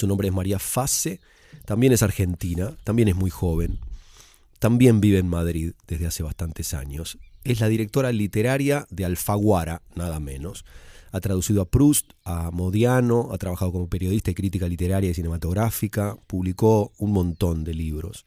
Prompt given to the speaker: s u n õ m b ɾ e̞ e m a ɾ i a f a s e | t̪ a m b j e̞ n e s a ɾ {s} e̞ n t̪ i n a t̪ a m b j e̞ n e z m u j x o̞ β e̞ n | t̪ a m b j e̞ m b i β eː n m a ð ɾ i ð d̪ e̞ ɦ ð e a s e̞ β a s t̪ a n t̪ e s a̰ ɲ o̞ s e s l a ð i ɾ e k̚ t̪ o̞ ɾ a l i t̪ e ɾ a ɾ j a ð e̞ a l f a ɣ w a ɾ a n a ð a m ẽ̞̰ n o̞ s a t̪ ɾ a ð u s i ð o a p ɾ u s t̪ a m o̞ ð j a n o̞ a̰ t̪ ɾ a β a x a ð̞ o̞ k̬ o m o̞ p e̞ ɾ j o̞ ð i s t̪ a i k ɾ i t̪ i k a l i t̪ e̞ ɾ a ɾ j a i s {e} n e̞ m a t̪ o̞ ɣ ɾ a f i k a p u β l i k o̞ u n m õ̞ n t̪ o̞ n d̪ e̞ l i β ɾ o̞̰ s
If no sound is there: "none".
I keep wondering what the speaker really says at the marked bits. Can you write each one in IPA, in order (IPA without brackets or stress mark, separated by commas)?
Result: x, i